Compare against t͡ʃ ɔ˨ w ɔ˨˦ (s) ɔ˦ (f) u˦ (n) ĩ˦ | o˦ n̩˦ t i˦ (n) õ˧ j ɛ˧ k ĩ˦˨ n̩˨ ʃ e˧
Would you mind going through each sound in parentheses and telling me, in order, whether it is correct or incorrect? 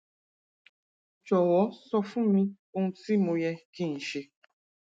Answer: correct, correct, incorrect, incorrect

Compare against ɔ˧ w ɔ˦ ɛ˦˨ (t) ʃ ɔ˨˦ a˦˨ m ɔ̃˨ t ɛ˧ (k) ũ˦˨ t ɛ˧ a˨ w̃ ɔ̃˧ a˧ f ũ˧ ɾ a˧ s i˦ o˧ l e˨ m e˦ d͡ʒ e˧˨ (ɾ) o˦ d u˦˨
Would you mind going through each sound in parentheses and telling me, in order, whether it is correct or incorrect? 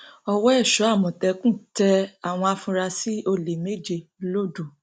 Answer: incorrect, correct, incorrect

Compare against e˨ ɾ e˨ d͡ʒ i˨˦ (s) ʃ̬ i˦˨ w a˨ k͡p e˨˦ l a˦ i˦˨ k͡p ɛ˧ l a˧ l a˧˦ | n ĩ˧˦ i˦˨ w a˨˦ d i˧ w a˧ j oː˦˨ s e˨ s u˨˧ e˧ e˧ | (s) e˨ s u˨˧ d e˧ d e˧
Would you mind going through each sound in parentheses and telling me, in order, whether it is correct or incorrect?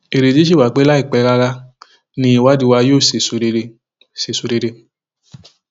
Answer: incorrect, correct

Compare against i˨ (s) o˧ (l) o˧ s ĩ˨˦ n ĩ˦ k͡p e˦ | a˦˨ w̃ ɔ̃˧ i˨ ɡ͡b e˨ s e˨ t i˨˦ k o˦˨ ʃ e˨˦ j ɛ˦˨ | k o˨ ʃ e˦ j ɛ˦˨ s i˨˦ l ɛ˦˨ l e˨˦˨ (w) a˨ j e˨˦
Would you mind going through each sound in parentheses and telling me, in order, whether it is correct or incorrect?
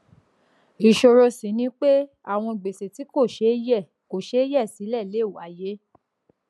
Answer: incorrect, incorrect, correct

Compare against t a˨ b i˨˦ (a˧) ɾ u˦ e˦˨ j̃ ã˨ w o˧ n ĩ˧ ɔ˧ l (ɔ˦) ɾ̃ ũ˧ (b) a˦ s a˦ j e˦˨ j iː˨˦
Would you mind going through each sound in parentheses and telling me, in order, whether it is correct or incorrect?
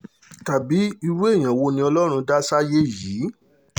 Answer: incorrect, correct, incorrect

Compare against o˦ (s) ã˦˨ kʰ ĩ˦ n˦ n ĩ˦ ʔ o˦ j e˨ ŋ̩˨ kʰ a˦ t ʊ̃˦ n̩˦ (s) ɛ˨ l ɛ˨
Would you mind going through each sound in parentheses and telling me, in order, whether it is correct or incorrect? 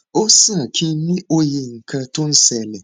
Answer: correct, correct

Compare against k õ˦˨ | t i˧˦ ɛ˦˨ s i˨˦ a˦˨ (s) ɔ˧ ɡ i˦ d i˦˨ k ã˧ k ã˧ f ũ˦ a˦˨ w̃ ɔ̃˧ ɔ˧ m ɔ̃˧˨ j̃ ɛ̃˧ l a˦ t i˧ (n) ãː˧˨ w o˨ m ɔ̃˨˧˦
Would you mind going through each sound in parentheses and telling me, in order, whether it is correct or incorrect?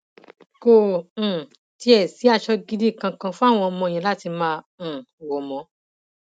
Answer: incorrect, incorrect

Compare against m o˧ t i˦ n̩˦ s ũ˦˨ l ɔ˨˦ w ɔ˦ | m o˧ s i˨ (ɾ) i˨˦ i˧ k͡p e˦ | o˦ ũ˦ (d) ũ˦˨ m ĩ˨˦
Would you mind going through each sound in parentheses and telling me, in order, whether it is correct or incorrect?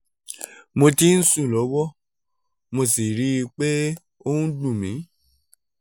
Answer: correct, correct

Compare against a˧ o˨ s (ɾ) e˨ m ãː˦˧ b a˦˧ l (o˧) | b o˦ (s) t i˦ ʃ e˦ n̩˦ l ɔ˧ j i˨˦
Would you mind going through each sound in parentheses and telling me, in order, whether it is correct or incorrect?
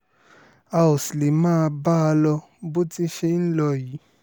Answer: incorrect, incorrect, incorrect

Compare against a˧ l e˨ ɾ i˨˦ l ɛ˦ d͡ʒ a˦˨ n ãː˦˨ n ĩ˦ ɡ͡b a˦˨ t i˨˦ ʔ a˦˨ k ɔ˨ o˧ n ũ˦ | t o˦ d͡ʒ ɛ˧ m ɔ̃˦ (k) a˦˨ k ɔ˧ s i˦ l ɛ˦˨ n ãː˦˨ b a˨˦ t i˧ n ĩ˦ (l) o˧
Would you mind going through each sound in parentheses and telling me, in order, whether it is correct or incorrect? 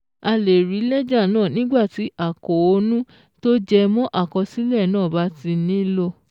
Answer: incorrect, correct

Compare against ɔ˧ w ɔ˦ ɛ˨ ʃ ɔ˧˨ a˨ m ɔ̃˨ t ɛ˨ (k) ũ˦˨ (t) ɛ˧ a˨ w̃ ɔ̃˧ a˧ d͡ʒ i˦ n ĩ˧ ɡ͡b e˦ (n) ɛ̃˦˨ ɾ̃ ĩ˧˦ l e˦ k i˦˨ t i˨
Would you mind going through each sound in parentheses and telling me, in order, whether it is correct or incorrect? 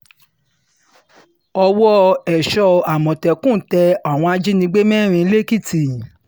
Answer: correct, correct, incorrect

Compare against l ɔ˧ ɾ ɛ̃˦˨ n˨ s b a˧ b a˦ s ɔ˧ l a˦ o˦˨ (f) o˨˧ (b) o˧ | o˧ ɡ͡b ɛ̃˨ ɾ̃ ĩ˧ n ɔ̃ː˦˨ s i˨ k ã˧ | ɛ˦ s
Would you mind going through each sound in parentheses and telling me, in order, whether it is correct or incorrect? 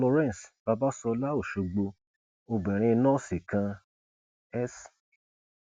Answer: incorrect, incorrect

